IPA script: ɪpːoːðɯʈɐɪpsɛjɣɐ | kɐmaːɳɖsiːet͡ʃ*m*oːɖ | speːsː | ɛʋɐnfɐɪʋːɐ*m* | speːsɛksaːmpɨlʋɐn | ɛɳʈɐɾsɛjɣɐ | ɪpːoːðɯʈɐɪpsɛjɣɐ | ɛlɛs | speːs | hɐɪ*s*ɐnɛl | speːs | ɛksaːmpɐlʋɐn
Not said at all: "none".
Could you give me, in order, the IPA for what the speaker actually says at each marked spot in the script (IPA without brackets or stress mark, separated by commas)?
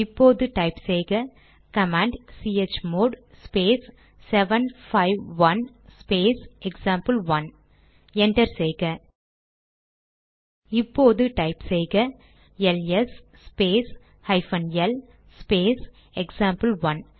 m, n, f